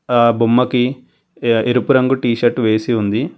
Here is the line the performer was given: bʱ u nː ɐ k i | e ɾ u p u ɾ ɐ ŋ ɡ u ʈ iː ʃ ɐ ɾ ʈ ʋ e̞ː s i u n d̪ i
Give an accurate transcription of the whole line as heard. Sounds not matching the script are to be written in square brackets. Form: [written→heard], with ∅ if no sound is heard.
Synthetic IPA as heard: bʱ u [nː→mː] ɐ k i | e ɾ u p u ɾ ɐ ŋ ɡ u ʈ iː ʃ ɐ ɾ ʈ ʋ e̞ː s i u n d̪ i